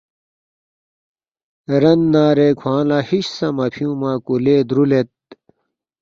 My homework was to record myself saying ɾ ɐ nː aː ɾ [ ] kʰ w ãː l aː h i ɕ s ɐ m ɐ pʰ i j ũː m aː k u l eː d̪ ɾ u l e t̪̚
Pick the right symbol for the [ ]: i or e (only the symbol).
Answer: e